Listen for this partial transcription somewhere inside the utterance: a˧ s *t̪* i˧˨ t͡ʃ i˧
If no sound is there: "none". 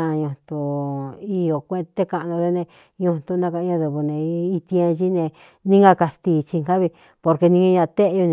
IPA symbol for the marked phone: t̪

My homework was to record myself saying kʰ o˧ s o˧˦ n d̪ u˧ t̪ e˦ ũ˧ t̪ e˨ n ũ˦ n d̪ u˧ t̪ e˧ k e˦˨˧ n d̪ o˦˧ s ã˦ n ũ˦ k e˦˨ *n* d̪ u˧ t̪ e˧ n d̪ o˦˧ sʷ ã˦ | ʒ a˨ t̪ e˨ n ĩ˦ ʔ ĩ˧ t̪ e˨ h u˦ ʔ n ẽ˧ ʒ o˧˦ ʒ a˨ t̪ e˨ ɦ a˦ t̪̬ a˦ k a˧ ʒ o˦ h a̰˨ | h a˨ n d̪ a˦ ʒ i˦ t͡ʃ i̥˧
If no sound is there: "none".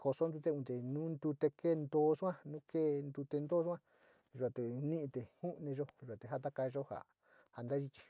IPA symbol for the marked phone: n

